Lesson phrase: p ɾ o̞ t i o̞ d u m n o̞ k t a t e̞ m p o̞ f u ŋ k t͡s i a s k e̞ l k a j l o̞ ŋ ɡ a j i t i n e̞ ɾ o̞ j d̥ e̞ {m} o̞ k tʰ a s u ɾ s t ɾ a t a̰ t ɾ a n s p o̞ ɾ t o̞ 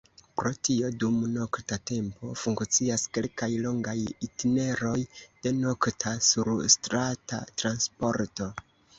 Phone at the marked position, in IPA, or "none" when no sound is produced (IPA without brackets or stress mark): n